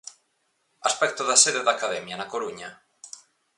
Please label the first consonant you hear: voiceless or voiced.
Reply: voiceless